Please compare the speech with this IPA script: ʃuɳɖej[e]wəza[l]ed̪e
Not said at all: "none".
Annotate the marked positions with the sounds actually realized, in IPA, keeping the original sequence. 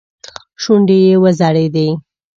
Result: e, ɽ

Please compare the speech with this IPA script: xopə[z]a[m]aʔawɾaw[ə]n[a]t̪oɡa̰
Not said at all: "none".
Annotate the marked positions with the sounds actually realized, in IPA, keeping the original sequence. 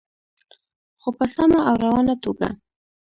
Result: s, m, ɑ, a

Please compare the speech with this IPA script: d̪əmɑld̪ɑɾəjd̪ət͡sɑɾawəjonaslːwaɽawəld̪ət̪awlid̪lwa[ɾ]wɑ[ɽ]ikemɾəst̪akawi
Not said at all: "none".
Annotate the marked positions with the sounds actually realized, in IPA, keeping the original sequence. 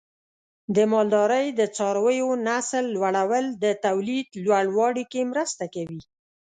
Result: ɽ, ɽ

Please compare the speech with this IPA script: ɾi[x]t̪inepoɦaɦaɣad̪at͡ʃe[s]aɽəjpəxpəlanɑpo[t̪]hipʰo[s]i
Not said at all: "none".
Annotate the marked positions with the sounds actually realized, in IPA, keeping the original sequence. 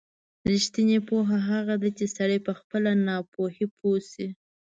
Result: ʃ, s, none, s

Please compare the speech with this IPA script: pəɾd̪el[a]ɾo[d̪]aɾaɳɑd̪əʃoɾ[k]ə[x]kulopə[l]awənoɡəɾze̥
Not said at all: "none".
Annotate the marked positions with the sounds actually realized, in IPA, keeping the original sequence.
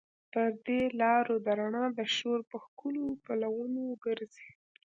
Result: ɑ, d̪, p, x, l

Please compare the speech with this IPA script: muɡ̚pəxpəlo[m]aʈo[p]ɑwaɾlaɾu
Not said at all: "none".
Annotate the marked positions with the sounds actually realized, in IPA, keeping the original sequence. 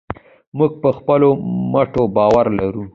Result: m, b

